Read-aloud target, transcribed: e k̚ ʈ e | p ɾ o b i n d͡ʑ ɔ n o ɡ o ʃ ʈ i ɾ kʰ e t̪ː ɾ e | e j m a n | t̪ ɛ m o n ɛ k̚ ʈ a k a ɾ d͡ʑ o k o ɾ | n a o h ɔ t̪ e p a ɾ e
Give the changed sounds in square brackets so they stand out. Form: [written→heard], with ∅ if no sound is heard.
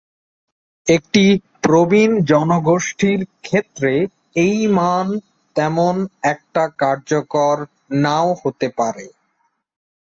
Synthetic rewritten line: e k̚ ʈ [e→i] | p ɾ o b i n d͡ʑ ɔ n o ɡ o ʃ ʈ i ɾ kʰ e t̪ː ɾ e | e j m a n | t̪ ɛ m o n ɛ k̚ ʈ a k a ɾ d͡ʑ o k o ɾ | n a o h [ɔ→o] t̪ e p a ɾ e